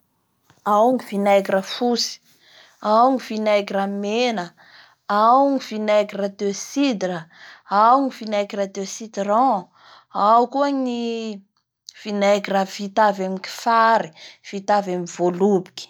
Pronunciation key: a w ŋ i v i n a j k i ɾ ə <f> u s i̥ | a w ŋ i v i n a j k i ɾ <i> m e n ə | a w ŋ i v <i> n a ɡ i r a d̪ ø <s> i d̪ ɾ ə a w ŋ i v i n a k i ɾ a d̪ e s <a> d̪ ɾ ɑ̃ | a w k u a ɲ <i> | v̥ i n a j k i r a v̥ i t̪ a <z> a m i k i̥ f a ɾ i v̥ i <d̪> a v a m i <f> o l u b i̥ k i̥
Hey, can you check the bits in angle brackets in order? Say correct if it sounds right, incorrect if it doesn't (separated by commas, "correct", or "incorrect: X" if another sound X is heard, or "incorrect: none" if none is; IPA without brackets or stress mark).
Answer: correct, incorrect: a, correct, correct, incorrect: i, correct, incorrect: v, incorrect: t̪, incorrect: v